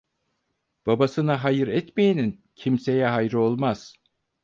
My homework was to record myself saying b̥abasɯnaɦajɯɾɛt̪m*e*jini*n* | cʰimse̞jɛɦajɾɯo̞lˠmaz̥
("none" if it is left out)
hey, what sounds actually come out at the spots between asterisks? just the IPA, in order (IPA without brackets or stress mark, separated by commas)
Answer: e, n